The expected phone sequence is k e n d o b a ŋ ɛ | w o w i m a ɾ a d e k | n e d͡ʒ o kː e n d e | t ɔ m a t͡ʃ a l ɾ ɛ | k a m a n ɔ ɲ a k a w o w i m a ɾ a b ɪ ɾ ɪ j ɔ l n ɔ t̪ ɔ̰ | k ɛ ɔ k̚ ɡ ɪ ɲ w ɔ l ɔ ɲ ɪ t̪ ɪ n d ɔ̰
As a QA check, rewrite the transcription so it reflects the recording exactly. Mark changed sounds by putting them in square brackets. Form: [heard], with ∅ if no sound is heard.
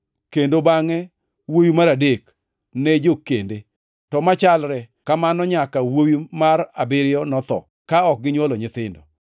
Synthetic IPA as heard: k e n d o b a ŋ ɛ | w o w i m a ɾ a d e k | n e d͡ʒ o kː e n d e | t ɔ m a t͡ʃ a l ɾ ɛ | k a m a n ɔ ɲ a k a w o w i m a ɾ a b ɪ ɾ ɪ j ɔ [∅] n ɔ t̪ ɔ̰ | k [a] ɔ k̚ ɡ ɪ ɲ w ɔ l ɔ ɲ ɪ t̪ ɪ n d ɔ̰